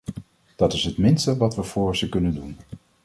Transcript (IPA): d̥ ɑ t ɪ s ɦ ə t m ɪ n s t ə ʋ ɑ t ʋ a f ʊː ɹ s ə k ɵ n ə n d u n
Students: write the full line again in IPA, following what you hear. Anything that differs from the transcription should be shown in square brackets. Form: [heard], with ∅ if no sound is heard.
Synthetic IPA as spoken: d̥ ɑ t ɪ s ɦ ə t m ɪ n s t ə ʋ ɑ t ʋ [ə] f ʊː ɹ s ə k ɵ n ə n d u n